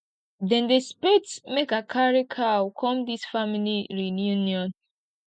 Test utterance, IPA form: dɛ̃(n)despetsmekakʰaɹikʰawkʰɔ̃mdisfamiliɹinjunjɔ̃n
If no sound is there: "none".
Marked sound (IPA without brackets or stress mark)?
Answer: n